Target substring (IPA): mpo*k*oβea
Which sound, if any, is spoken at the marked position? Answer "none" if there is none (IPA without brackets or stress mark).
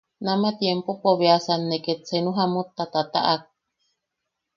p